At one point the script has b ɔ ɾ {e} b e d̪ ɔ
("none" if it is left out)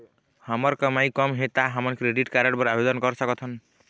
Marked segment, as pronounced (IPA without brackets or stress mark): a